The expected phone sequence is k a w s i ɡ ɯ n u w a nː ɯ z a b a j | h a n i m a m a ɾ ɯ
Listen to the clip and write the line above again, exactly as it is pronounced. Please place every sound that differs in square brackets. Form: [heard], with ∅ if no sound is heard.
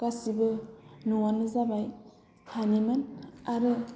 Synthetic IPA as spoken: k a [∅] s i [b] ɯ n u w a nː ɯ z a b a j | h a n i m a [n] a ɾ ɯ